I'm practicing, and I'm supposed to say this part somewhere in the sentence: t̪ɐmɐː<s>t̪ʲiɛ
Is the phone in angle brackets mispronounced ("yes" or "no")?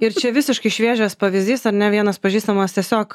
no